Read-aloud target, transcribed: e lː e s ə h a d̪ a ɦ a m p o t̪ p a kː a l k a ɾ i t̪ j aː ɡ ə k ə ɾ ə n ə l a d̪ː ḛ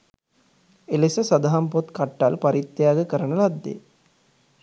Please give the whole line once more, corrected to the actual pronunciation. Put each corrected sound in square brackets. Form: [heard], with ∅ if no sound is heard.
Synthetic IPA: e [l] e s ə [s] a d̪ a ɦ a m p o t̪ [k] a [ʈː] a l [p] a ɾ i t̪ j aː ɡ ə k ə ɾ ə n ə l a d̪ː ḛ